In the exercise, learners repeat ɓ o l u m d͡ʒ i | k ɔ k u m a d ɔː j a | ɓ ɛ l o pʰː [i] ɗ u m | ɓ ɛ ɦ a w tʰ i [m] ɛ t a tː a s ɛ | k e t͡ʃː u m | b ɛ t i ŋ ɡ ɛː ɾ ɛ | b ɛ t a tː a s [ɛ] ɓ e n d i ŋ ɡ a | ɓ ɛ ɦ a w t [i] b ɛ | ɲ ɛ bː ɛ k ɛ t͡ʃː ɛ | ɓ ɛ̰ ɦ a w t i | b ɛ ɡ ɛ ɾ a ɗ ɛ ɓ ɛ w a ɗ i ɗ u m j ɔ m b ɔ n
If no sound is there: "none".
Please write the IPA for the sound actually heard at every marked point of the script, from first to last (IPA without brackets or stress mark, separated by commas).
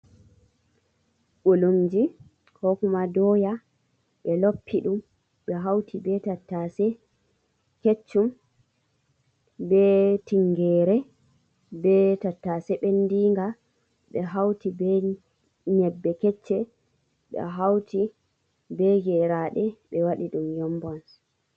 i, b, ɛ, i